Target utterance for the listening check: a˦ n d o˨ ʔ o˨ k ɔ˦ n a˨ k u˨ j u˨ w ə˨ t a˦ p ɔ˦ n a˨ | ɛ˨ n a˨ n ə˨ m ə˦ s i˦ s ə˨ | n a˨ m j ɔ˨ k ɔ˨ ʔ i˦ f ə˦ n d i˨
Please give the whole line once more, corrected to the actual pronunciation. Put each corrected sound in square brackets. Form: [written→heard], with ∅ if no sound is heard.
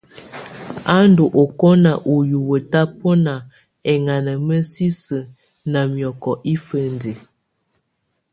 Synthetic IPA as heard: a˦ n d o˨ ʔ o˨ k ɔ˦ n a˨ [k→ʔ] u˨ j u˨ w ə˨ t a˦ p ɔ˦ n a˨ | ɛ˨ [n→ŋ] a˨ n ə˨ m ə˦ s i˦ s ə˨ | n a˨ m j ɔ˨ k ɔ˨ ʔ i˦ f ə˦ n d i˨